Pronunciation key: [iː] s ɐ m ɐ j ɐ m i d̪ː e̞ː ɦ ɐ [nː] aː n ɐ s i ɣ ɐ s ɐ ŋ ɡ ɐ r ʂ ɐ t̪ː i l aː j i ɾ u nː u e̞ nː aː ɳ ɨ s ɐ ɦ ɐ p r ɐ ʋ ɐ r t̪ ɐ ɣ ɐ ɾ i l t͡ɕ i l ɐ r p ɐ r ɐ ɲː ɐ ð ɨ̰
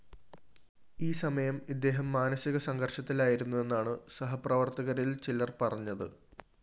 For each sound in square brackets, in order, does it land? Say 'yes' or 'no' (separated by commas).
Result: yes, no